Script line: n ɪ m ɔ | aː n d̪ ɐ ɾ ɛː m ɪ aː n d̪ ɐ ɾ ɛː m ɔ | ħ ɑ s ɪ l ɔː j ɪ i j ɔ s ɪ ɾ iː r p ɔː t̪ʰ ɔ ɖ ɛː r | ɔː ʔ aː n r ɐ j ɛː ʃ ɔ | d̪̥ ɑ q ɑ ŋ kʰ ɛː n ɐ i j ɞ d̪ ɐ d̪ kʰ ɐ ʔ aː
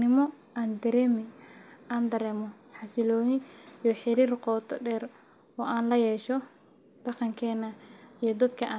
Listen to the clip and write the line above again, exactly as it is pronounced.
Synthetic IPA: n ɪ m ɔ | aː n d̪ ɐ ɾ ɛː m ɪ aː n d̪ ɐ ɾ ɛː m ɔ | ħ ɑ s ɪ l ɔː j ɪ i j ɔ ħ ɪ ɾ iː r q ɔː t̪ʰ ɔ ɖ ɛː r | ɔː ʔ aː n l ɐ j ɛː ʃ ɔ | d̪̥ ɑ q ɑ ŋ kʰ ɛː n ɐ i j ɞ d̪ ɐ d̪ kʰ ɐ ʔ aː